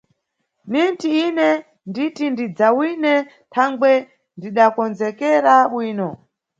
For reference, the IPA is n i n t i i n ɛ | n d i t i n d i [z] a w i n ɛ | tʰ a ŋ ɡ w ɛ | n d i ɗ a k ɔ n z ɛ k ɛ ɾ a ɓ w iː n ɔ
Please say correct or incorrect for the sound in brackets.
incorrect